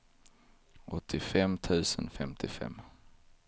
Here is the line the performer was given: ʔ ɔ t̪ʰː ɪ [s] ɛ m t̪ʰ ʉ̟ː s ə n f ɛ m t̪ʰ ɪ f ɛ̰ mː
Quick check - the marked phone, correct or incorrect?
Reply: incorrect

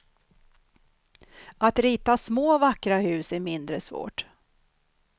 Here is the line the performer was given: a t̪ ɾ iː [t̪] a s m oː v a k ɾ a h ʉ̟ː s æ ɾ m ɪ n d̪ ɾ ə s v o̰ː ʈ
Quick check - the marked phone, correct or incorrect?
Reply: correct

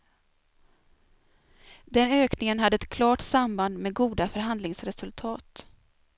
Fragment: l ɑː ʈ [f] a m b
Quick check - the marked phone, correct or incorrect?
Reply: incorrect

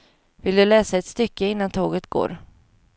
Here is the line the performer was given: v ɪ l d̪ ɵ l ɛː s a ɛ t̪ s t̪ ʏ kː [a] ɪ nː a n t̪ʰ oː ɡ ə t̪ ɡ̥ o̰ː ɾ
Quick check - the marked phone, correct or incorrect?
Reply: incorrect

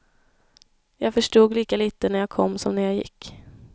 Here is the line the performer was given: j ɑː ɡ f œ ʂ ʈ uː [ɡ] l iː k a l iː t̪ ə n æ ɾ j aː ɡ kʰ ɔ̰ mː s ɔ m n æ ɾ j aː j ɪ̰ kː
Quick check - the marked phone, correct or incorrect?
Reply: correct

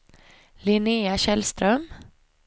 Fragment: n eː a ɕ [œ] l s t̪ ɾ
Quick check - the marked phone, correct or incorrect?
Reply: incorrect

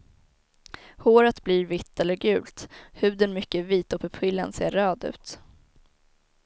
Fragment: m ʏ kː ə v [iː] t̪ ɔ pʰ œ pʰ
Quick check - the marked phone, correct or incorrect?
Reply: correct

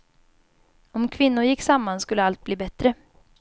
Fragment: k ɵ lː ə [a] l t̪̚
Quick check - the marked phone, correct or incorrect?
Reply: correct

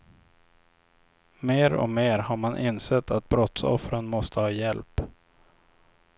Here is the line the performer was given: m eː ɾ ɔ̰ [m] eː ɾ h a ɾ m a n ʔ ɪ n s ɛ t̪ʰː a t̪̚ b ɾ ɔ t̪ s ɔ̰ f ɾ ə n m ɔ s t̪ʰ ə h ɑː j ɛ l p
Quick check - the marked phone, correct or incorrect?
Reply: correct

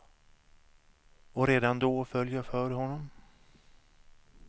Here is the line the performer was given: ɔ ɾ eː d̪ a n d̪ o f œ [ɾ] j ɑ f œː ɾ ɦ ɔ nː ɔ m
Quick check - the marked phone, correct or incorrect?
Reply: incorrect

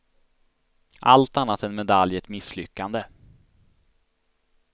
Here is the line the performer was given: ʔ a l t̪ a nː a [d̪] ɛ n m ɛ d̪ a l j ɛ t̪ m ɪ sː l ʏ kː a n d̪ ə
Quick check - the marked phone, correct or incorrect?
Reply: incorrect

